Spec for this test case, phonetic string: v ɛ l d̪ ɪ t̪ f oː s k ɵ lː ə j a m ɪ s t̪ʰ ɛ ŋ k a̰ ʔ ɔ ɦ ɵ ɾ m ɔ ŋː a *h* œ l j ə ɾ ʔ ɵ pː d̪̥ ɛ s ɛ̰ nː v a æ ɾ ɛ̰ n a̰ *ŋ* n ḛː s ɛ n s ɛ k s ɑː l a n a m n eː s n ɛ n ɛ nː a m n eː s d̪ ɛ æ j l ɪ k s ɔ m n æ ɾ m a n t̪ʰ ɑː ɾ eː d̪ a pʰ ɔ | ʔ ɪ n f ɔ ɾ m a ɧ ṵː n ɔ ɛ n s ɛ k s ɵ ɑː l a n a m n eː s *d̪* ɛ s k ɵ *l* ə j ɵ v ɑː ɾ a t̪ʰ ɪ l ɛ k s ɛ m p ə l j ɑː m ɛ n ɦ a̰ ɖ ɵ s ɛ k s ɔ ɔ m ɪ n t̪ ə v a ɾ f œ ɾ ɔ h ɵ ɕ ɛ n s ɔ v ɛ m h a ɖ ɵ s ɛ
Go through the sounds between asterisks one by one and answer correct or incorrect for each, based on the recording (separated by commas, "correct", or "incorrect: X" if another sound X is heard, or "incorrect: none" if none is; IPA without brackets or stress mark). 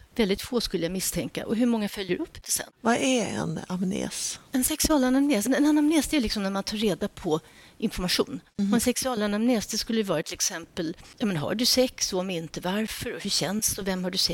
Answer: incorrect: f, incorrect: m, correct, incorrect: lː